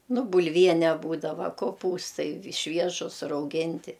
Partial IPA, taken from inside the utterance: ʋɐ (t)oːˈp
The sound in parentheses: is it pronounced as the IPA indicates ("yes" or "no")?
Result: no